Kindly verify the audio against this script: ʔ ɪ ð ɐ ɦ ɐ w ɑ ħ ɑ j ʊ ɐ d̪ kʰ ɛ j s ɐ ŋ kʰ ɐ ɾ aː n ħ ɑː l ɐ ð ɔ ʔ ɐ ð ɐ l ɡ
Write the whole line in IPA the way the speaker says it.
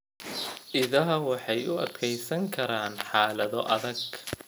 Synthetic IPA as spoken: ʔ ɪ ð ɐ ɦ ɐ w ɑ ħ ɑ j ʊ ɐ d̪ kʰ ɛ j s ɐ ŋ kʰ ɐ ɾ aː n ħ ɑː l ɐ ð ɔ ʔ ɐ ð ɐ ɡ